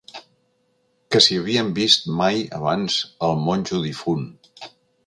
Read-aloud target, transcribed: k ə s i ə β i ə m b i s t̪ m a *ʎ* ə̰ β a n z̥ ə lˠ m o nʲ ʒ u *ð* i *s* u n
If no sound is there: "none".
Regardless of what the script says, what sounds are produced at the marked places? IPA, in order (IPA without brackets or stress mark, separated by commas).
j, ð, f